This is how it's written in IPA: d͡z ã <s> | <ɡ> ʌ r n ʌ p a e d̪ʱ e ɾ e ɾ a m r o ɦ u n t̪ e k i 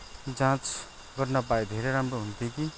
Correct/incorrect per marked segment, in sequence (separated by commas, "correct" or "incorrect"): incorrect, correct